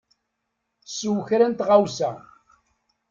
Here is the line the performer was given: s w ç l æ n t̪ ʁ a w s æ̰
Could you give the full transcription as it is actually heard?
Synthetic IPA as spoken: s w ç ɾ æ n t̪ ʁ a w s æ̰